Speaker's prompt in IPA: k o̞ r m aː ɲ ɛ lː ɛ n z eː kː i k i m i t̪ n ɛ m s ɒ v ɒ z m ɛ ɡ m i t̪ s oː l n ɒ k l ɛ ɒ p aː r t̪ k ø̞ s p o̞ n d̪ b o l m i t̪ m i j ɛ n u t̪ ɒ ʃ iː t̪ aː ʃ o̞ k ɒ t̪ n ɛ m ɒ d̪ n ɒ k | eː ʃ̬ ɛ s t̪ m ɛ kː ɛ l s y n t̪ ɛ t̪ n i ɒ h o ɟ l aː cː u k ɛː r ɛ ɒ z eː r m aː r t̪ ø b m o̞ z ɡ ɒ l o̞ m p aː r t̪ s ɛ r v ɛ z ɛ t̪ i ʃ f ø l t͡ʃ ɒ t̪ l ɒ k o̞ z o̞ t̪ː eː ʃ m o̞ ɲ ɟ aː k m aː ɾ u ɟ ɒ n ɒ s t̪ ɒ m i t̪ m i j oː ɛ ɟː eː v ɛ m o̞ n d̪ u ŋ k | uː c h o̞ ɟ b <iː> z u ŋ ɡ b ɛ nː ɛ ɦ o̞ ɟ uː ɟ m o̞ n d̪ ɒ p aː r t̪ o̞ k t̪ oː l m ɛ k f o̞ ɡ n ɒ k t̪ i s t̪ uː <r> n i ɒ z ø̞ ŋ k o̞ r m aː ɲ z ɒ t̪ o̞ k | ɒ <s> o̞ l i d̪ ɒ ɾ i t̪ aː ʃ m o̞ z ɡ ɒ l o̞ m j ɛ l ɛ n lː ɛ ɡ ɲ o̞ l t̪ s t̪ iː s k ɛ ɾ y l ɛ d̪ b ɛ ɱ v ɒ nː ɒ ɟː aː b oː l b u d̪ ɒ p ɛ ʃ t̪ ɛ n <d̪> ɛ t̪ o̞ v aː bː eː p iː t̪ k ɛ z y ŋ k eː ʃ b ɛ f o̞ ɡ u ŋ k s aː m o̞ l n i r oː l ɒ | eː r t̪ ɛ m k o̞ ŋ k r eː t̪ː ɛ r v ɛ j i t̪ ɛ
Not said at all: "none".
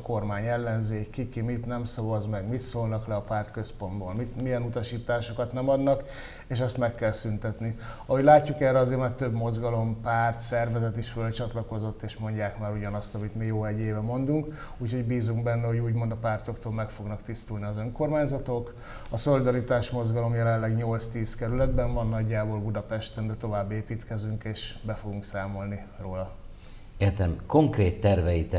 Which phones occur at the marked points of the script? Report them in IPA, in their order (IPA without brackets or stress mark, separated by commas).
iː, l, s, d̪